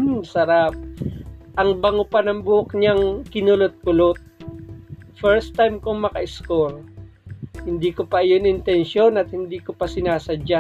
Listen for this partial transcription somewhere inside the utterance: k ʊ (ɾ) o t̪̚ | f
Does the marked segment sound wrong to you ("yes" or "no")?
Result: yes